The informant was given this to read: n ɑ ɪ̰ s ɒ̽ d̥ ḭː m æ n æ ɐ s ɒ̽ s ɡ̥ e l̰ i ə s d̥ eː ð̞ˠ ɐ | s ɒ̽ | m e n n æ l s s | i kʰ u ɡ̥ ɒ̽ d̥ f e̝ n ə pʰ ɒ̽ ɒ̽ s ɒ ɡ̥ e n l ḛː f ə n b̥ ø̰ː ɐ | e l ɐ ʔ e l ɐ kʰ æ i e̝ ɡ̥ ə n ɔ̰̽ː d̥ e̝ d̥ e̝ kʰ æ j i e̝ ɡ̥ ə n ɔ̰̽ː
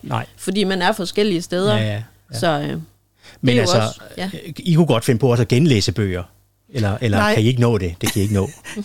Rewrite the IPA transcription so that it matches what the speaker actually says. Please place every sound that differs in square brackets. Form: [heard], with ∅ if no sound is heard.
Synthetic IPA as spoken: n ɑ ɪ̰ [f] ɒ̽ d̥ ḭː m æ n æ ɐ [f] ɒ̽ s ɡ̥ e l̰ i ə s d̥ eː ð̞ˠ ɐ | s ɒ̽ | m e n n æ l s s | i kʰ u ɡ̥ ɒ̽ d̥ f e̝ n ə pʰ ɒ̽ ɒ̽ s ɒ ɡ̥ e n l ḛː [s] ə [∅] b̥ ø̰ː ɐ | e l ɐ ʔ e l ɐ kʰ æ i e̝ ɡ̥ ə n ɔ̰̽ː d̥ e̝ d̥ e̝ kʰ æ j i e̝ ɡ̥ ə n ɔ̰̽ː